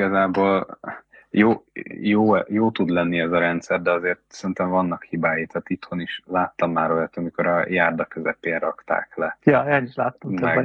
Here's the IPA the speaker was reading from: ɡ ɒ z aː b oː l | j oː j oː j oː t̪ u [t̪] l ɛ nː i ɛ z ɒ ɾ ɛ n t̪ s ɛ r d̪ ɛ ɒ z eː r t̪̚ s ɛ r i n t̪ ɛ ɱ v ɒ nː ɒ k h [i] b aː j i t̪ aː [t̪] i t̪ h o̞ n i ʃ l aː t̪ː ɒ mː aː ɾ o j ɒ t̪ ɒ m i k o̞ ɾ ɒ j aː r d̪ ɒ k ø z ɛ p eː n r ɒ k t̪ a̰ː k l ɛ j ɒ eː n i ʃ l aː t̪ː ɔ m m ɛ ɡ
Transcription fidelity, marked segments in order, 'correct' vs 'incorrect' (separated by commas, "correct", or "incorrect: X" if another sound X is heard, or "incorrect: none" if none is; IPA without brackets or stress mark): incorrect: d̪, correct, correct